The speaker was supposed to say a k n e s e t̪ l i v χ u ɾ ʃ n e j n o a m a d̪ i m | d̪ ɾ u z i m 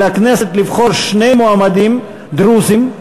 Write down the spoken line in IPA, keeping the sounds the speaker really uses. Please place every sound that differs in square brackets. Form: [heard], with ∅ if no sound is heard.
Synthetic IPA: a k n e s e t̪ l i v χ [o] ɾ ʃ n e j [m] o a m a d̪ i m | d̪ ɾ u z i m